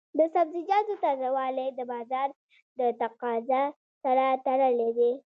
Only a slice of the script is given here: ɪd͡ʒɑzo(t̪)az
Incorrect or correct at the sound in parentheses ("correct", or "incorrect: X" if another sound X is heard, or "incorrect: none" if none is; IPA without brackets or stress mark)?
correct